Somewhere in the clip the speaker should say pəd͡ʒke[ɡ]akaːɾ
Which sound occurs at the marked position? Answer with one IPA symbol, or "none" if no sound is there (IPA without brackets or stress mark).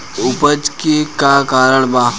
k